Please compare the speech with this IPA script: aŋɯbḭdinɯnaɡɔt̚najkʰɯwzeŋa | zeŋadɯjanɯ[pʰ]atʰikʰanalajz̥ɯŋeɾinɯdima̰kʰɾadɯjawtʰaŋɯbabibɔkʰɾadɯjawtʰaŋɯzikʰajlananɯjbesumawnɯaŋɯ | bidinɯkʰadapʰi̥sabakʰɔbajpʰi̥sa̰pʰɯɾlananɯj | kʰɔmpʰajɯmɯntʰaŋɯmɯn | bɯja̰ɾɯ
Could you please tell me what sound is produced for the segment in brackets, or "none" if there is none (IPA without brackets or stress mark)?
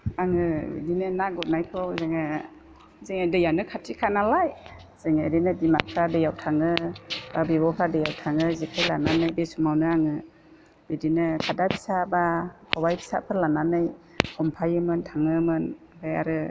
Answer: kʰ